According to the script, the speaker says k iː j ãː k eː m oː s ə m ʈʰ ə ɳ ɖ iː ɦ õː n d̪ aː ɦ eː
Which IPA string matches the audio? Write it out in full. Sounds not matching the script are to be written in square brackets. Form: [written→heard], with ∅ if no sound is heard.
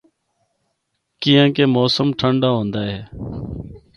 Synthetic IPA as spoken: k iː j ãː k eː m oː s ə m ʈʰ ə ɳ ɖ [iː→aː] ɦ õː n d̪ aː ɦ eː